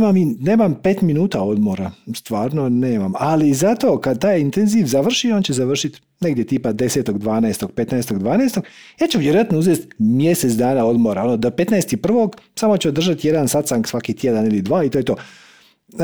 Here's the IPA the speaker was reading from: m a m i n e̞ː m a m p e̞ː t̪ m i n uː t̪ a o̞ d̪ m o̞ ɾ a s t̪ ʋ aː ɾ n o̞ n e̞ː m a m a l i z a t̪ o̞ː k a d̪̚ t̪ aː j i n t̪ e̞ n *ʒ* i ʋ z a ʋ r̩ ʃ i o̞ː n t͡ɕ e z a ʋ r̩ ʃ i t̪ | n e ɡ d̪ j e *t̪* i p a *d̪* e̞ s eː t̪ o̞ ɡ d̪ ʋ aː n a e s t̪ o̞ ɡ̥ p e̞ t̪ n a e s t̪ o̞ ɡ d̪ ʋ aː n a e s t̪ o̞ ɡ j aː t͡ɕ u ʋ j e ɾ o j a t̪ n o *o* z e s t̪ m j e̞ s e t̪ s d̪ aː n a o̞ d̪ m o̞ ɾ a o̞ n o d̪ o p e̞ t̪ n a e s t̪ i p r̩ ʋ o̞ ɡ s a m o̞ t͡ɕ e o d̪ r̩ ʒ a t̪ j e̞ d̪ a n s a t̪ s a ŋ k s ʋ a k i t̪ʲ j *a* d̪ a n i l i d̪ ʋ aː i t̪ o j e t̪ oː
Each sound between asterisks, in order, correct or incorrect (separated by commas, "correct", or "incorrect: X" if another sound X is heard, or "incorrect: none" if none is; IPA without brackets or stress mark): incorrect: z, correct, correct, incorrect: u, incorrect: e